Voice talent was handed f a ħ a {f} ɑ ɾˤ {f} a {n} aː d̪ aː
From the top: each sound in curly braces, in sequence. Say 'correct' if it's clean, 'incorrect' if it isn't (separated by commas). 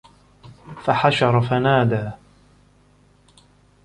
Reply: incorrect, correct, correct